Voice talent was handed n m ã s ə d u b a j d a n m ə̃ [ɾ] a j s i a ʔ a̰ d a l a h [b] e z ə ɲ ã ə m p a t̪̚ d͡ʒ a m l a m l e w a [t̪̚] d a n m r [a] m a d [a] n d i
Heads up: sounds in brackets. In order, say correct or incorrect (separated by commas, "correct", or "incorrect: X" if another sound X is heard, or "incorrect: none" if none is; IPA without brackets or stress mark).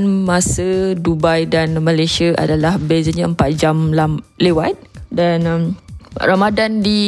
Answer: incorrect: l, correct, correct, correct, correct